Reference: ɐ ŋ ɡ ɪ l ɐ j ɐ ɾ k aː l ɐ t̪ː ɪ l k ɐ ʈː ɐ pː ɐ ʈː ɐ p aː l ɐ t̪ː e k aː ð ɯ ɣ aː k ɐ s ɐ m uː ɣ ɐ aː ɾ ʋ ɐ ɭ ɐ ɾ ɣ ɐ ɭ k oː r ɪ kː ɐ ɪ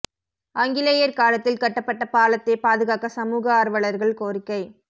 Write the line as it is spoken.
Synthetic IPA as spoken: ɐ ŋ ɡ ɪ l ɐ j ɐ ɾ k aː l ɐ t̪ː ɪ l k ɐ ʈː ɐ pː ɐ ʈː ɐ p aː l ɐ t̪ː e p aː ð ɯ ɣ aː k ɐ s ɐ m uː ɣ ɐ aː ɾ ʋ ɐ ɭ ɐ ɾ ɣ ɐ ɭ k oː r ɪ kː ɐ ɪ

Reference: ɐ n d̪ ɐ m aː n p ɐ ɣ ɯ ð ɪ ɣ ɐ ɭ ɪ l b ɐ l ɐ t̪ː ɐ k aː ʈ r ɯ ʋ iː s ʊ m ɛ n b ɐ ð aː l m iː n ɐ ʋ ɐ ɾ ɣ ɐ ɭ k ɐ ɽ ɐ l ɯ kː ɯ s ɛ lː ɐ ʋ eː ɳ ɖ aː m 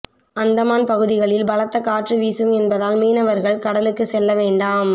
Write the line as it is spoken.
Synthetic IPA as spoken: ɐ n d̪ ɐ m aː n p ɐ ɣ ɯ ð ɪ ɣ ɐ ɭ ɪ l b ɐ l ɐ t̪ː ɐ k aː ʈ r ɯ ʋ iː s ɯ m ɛ n b ɐ ð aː l m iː n ɐ ʋ ɐ ɾ ɣ ɐ ɭ k ɐ ɽ ɐ l ɯ kː ɯ s ɛ lː ɐ ʋ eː ɳ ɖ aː m

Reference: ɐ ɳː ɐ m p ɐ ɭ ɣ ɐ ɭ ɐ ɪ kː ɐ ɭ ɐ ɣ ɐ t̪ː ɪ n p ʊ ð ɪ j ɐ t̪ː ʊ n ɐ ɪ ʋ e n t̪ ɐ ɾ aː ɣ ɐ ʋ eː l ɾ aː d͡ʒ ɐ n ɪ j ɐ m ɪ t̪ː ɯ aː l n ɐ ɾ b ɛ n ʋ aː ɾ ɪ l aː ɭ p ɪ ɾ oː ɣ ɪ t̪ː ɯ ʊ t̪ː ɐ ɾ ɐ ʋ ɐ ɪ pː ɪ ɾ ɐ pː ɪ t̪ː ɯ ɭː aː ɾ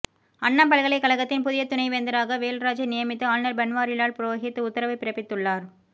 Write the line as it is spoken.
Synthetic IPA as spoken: ɐ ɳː ɐ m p ɐ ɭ ɣ ɐ ɭ ɐ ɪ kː ɐ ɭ ɐ ɣ ɐ t̪ː ɪ n p ʊ ð ɪ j ɐ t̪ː ʊ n ɐ ɪ ʋ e n d̪ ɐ ɾ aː ɣ ɐ ʋ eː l ɾ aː d͡ʒ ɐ n ɪ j ɐ m ɪ t̪ː ɯ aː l n ɐ ɾ b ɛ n ʋ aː ɾ ɪ l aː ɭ p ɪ ɾ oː ɣ ɪ t̪ː ɯ ʊ t̪ː ɐ ɾ ɐ ʋ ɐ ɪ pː ɪ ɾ ɐ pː ɪ t̪ː ɯ ɭː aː ɾ

